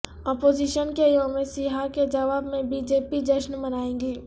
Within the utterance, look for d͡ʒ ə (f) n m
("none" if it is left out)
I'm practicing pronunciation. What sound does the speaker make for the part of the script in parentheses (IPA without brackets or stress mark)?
ʃ